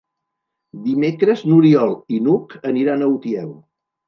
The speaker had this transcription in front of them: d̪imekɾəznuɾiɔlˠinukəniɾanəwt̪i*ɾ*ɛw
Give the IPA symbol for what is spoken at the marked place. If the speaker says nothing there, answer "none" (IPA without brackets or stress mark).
none